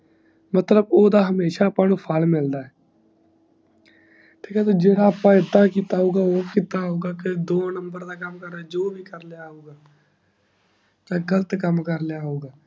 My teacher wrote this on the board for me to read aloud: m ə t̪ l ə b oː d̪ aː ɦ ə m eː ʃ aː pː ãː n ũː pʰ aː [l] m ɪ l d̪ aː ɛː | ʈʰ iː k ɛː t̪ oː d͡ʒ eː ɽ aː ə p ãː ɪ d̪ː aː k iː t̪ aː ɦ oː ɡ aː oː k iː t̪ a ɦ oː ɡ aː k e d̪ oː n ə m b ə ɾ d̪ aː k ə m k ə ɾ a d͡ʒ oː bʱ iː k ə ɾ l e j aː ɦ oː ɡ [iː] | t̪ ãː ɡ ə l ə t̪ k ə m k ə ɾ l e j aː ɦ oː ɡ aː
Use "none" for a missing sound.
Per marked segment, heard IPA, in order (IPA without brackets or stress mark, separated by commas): l, aː